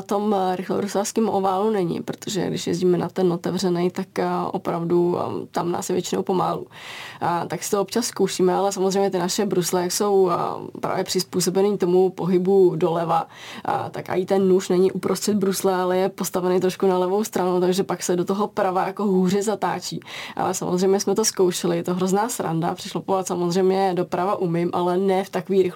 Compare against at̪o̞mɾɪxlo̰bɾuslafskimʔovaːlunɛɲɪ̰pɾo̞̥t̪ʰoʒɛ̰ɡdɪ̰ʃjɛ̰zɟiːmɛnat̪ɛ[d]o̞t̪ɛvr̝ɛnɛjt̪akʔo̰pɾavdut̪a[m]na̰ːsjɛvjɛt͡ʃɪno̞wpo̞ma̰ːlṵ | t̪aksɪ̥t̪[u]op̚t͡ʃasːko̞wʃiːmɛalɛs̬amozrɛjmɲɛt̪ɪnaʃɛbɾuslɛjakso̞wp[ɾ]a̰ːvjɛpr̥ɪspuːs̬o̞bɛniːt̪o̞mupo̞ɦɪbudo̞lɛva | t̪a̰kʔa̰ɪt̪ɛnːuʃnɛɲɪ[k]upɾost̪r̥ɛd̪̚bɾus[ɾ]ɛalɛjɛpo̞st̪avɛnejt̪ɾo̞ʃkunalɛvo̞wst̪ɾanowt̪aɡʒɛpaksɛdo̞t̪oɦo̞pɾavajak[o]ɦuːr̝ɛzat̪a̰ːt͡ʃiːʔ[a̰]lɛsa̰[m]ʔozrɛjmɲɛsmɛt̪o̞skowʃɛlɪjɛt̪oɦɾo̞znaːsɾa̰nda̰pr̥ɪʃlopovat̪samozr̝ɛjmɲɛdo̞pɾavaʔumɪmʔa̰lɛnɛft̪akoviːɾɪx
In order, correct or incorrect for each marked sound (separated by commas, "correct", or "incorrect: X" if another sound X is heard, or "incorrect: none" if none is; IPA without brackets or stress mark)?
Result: incorrect: n, correct, incorrect: o, correct, incorrect: ʔ, incorrect: l, correct, correct, correct